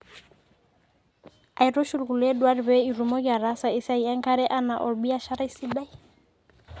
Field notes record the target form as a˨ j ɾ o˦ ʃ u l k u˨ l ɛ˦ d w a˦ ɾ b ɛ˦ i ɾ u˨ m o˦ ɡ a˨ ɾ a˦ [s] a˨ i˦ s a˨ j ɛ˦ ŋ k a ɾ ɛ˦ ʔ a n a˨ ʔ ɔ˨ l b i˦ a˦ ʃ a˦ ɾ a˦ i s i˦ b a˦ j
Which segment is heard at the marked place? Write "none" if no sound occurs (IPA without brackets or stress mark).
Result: s